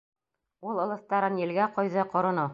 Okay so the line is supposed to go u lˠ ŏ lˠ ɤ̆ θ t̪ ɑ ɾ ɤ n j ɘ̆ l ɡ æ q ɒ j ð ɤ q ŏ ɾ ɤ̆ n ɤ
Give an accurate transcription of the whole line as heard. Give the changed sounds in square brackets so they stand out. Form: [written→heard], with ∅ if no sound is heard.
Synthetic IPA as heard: u lˠ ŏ lˠ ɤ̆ θ t̪ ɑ ɾ ɤ n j ɘ̆ l ɡ æ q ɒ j ð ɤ q ŏ ɾ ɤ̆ n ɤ